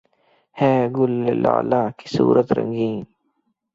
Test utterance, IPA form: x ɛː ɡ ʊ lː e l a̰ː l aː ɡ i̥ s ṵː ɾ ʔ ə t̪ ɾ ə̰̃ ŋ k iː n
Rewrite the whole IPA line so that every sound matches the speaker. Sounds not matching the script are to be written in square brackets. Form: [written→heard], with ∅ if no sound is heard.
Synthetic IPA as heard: [x→h] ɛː ɡ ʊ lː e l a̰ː l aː [ɡ→k] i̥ s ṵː ɾ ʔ ə t̪ ɾ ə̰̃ ŋ [k→ɡ] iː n